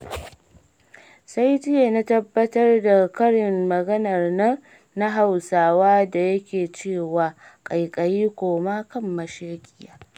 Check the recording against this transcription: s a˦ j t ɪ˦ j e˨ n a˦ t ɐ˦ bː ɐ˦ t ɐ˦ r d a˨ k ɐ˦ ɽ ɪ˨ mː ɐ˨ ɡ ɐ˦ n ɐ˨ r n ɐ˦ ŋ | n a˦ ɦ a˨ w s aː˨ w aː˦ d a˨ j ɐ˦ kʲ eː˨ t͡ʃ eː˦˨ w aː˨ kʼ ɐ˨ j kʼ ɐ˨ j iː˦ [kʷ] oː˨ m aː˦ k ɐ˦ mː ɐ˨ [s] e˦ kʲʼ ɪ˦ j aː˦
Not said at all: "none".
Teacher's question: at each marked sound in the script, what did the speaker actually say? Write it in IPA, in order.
kʷ, ʃ

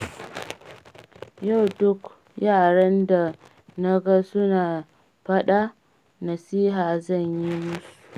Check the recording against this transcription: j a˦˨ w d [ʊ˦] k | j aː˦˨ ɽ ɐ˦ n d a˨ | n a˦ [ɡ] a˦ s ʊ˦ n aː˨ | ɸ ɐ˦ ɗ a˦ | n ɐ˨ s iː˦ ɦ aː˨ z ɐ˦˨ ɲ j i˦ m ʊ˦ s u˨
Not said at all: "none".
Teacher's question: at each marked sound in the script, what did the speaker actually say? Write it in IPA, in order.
ʊ˦, ɡ

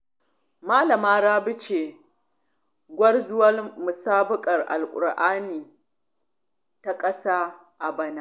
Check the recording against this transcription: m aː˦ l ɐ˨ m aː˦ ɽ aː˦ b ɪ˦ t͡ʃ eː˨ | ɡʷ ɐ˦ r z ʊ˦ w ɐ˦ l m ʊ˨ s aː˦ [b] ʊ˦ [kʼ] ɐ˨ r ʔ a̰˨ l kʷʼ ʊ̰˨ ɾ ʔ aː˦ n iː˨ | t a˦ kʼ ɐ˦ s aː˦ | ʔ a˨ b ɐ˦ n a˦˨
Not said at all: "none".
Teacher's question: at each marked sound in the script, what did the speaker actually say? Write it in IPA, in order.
b, kʼ

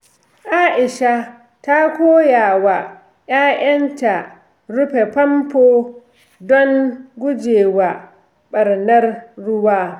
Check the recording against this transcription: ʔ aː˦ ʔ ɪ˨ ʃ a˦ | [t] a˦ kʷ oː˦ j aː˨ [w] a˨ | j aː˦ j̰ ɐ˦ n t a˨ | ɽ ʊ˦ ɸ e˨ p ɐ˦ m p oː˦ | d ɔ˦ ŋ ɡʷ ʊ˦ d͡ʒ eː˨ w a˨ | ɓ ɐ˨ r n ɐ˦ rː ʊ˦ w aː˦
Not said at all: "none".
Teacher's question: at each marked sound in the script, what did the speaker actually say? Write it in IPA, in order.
t, w

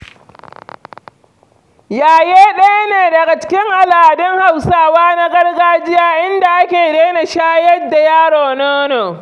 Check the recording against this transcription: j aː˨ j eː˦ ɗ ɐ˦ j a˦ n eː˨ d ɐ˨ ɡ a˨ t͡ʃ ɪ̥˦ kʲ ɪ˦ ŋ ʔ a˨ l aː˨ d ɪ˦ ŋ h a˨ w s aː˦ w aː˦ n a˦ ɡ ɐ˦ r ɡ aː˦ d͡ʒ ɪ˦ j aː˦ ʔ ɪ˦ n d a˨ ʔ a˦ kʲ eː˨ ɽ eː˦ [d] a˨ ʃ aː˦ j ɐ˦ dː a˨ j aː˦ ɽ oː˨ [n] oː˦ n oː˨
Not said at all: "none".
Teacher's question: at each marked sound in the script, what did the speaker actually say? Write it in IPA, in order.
n, n

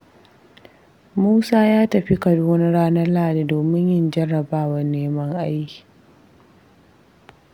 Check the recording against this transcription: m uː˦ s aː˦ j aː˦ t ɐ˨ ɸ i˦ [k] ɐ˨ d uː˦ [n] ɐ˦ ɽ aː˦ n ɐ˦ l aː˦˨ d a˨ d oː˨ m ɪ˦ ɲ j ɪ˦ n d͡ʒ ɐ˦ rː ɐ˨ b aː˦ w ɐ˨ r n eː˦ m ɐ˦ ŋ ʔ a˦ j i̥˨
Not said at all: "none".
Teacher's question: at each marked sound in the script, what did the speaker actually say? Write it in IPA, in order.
k, n

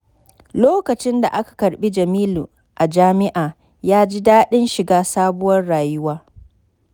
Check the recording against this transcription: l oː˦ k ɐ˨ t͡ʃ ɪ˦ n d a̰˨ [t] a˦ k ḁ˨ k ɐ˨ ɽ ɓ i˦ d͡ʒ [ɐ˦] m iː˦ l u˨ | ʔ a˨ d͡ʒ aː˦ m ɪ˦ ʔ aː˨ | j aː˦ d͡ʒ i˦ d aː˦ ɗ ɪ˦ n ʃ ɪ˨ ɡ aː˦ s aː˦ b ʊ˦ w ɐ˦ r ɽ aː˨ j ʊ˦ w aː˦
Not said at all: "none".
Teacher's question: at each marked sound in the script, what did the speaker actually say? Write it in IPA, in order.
ʔ, ɐ˨

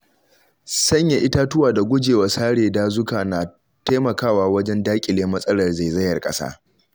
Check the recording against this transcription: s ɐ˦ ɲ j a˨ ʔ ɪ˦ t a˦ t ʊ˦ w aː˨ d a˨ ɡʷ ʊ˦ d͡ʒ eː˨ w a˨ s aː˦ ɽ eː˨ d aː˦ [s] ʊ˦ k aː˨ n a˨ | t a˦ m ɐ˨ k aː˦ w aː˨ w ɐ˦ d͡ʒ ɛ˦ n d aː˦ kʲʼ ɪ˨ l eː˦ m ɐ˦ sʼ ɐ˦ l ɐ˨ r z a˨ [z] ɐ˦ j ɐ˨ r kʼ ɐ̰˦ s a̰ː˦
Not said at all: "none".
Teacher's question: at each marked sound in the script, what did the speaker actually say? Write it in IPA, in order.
z, z

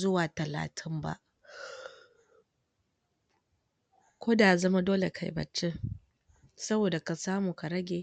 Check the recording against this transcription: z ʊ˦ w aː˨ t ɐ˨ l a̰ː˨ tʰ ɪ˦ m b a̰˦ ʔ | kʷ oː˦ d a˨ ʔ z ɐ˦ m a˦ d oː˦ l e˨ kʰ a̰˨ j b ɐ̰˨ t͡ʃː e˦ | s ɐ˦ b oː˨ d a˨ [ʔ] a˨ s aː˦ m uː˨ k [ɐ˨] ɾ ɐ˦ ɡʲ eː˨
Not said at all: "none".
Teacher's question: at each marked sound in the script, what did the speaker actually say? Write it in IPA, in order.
k, a˨

